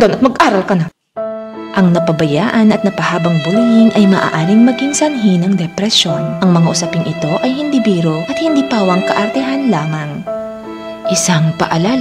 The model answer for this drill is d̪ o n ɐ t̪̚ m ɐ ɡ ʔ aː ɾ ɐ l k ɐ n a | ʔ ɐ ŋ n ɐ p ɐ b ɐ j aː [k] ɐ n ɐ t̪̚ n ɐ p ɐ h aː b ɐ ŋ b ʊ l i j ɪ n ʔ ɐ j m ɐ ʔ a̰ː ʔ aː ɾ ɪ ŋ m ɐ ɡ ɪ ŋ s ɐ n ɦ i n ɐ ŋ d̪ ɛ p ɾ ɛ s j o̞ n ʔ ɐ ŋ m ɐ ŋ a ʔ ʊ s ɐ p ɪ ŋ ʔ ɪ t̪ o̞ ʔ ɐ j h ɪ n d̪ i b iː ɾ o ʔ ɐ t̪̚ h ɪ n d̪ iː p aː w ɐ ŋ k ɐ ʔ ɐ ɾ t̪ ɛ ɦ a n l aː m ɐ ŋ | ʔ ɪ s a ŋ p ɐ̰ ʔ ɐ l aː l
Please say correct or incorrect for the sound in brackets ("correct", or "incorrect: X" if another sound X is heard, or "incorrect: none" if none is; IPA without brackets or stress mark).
incorrect: ʔ